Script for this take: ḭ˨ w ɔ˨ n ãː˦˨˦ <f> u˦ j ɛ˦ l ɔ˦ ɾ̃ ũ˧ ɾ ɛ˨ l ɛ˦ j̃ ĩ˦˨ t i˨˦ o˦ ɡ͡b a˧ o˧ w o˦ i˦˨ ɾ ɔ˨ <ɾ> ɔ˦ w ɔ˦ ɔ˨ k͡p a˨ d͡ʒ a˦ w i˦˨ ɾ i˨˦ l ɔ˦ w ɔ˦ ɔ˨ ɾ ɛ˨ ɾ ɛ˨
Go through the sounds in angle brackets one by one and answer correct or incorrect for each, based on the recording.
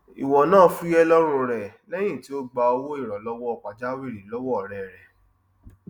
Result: correct, incorrect: l

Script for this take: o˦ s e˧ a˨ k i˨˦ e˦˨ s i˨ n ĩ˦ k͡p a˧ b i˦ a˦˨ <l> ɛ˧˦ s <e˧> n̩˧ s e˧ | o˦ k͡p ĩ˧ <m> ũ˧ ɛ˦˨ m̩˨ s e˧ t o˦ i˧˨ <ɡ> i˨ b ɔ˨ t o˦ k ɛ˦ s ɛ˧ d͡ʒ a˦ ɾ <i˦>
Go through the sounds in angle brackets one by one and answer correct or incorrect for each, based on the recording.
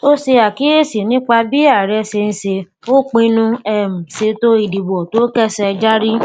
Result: incorrect: ɾ, correct, incorrect: n, incorrect: d, correct

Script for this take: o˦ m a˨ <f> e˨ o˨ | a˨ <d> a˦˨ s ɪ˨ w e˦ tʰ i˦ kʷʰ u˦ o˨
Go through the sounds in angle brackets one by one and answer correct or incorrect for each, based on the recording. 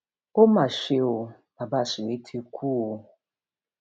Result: incorrect: ʃ, incorrect: b

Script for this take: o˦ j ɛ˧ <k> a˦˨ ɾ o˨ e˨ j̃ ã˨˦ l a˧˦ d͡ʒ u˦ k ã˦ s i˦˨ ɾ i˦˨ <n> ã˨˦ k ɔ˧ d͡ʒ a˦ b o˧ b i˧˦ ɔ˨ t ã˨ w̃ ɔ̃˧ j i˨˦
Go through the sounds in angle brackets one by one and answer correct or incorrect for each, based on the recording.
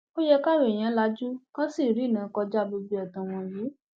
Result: correct, correct

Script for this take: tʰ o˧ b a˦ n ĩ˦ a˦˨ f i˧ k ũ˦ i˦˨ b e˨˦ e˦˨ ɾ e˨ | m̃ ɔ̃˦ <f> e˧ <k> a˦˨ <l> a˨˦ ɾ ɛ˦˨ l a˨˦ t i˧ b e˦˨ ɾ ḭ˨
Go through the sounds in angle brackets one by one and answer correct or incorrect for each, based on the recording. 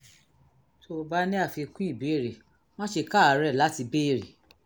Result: incorrect: ʃ, correct, incorrect: none

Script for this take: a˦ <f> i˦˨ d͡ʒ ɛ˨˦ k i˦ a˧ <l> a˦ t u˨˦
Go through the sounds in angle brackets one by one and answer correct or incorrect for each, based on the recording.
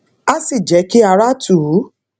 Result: incorrect: s, incorrect: ɾ

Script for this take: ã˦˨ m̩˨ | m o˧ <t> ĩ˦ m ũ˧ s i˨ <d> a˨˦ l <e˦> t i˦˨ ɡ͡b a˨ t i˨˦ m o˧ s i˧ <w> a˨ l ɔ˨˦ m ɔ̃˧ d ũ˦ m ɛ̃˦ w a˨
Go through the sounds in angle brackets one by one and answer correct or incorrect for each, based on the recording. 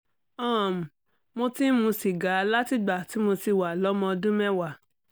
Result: correct, incorrect: ɡ, incorrect: a˦, correct

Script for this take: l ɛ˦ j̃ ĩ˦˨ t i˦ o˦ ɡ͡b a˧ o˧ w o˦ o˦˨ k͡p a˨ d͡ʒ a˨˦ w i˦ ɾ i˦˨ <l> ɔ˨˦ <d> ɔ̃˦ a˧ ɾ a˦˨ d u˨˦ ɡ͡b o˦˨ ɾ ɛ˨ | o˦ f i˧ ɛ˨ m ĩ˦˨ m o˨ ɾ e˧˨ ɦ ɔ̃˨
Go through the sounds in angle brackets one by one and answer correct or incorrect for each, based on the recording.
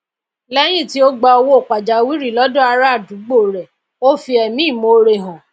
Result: correct, correct

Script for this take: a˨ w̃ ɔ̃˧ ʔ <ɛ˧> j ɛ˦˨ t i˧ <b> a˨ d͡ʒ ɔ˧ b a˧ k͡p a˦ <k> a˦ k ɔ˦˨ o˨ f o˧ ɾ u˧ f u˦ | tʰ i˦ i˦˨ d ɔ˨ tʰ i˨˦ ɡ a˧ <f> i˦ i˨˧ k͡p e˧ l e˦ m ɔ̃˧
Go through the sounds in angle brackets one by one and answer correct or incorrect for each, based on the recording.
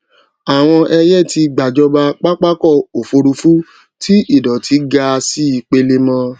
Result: correct, incorrect: ɡ͡b, incorrect: k͡p, incorrect: s

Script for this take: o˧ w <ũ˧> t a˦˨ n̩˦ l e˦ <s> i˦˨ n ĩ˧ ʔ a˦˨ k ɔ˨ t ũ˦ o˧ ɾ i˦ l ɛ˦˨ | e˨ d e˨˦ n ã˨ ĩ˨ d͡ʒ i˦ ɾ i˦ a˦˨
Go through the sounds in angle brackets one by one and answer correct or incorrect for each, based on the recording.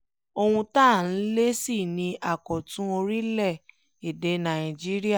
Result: correct, correct

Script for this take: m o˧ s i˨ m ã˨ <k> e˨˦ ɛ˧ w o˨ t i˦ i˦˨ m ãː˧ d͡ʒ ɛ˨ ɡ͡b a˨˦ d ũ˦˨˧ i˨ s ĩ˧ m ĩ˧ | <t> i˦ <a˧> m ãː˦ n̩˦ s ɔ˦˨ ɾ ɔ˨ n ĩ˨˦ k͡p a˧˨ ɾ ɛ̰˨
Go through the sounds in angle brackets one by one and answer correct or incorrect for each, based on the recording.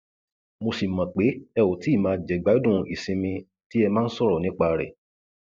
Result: incorrect: k͡p, correct, incorrect: ɛ˧

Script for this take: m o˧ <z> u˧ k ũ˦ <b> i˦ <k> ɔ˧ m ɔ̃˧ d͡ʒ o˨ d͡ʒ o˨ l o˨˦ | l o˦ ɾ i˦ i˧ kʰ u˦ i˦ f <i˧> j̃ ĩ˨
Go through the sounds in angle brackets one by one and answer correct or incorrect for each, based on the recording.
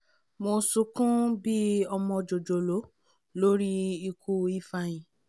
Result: incorrect: s, correct, incorrect: none, incorrect: a˧

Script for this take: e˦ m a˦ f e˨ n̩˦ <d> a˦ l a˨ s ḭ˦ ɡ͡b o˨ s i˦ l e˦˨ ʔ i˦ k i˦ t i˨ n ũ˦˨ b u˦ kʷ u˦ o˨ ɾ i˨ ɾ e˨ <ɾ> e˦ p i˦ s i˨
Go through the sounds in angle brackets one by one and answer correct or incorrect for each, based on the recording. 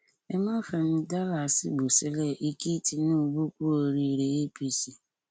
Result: correct, incorrect: none

